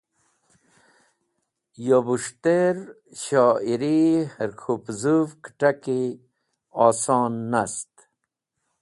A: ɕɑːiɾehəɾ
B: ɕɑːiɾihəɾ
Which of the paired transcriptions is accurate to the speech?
B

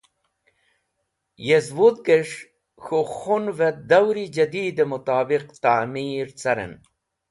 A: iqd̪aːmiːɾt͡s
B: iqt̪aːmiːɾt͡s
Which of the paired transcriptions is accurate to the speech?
B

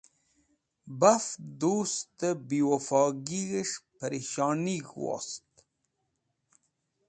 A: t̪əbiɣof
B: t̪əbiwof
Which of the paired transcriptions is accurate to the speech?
B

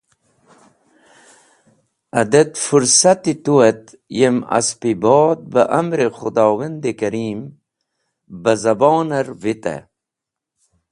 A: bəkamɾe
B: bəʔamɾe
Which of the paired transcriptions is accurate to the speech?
B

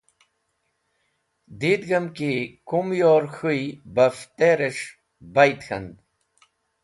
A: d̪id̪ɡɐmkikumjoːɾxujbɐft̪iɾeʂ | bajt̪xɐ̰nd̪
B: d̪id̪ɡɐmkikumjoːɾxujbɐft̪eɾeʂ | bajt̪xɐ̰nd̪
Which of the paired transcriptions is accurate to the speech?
B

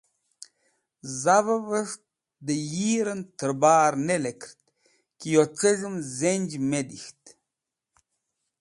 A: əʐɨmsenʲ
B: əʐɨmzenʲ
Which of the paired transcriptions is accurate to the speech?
B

